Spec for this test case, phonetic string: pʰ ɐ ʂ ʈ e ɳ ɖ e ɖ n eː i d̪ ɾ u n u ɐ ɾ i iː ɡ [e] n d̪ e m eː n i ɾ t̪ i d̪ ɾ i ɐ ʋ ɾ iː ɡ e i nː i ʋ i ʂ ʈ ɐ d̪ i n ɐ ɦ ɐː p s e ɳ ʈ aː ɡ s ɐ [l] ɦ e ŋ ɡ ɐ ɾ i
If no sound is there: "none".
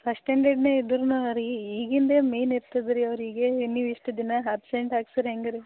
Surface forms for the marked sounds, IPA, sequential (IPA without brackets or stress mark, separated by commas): i, ɾ